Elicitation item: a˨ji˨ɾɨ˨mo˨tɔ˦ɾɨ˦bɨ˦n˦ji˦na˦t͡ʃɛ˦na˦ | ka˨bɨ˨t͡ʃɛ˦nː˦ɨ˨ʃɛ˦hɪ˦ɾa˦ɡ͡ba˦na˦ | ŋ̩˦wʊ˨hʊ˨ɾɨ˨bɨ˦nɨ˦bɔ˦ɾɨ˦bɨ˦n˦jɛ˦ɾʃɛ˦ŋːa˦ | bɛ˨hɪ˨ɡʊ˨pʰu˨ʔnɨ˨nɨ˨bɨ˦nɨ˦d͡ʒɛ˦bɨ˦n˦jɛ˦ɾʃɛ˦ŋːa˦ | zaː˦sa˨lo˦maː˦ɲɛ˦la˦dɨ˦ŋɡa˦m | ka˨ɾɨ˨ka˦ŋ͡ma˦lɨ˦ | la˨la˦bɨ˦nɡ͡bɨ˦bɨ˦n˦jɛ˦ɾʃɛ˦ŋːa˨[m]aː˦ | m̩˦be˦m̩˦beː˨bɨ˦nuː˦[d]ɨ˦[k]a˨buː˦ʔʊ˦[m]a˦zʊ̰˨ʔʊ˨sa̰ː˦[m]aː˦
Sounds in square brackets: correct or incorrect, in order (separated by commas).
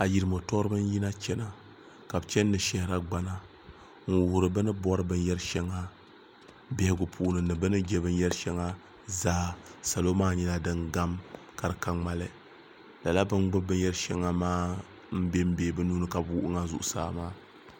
correct, incorrect, correct, incorrect, correct